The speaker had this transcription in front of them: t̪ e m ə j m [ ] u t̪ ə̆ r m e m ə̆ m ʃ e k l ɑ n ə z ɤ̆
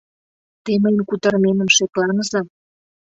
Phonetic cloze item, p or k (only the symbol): k